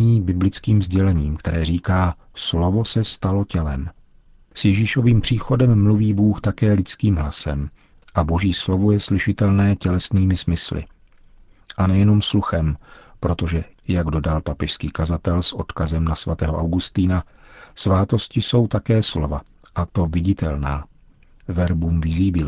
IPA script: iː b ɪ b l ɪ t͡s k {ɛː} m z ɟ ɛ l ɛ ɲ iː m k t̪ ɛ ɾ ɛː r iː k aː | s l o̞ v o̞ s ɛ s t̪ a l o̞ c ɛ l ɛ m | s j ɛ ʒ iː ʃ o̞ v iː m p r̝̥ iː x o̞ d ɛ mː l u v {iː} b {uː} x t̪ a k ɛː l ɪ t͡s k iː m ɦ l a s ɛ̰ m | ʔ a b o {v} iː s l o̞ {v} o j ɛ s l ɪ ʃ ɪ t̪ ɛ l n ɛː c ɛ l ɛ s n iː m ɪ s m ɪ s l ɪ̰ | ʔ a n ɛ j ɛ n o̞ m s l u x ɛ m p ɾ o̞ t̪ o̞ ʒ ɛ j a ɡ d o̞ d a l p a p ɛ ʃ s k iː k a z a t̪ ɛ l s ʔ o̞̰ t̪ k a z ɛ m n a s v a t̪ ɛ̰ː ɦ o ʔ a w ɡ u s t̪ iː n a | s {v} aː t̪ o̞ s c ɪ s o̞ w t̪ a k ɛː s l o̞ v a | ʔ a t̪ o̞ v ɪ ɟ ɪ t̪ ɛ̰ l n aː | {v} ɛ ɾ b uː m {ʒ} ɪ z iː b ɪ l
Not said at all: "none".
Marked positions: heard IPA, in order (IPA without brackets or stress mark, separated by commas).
iː, iː, uː, ʒ, v, v, v, v